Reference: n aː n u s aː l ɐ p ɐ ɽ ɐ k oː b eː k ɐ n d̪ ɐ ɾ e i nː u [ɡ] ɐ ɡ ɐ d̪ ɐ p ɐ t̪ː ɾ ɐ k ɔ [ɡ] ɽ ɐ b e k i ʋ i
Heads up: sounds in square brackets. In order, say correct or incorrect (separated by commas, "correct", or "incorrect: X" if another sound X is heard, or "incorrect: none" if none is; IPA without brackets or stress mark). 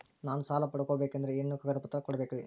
incorrect: k, incorrect: none